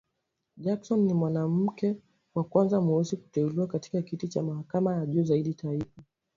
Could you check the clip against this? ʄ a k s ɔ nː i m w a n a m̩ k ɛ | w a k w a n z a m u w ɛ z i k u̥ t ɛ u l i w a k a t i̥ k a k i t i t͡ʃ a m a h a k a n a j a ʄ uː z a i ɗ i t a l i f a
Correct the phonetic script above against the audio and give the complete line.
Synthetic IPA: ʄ a k s ɔ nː i m w a n a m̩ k ɛ | w a k w a n z a m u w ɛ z i k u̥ t ɛ u l i w a k a t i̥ k a k i t i t͡ʃ a m a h a k a m a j a ʄ uː z a i ɗ i t a i f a